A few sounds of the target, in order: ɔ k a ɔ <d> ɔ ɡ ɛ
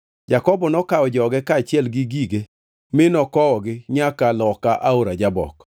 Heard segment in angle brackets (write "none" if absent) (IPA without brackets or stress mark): d͡ʒ